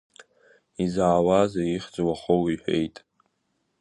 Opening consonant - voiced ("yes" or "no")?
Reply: yes